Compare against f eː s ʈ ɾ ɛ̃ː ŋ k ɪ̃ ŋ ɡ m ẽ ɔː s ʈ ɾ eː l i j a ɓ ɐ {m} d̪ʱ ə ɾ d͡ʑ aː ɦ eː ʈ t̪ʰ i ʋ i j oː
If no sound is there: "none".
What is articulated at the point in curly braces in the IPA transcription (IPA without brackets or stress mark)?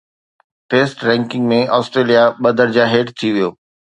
none